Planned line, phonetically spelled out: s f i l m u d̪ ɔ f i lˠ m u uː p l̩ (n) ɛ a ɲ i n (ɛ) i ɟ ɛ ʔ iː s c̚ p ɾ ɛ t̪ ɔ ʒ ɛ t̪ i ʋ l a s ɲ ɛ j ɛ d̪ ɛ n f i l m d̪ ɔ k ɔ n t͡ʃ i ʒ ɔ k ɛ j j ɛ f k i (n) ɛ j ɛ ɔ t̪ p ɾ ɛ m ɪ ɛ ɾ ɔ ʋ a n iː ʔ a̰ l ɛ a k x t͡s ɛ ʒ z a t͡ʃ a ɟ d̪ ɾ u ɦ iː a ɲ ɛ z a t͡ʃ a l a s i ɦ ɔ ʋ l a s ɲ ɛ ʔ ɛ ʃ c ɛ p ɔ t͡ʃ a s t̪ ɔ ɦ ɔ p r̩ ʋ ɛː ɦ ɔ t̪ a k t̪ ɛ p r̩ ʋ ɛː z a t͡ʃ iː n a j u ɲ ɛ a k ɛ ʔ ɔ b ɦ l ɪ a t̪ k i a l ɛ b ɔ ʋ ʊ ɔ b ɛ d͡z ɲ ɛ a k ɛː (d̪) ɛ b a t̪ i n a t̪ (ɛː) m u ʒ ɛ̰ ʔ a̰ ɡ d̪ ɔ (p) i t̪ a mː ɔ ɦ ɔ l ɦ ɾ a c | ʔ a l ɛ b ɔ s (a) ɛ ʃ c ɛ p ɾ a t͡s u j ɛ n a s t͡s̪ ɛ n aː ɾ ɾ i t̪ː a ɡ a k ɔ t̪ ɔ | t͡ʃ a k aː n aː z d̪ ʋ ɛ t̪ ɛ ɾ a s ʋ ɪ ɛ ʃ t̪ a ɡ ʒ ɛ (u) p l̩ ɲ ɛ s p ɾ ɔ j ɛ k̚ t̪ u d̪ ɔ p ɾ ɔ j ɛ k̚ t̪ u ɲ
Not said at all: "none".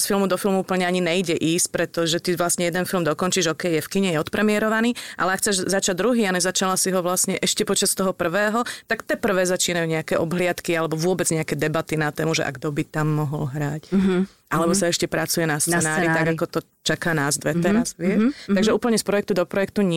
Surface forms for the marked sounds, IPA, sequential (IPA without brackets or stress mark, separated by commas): ɲ, ɛ, ɲ, d̪, ɛː, b, a, uː